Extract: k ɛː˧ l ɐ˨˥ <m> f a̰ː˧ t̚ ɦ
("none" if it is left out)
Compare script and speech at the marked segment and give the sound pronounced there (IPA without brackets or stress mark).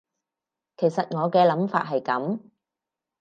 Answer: m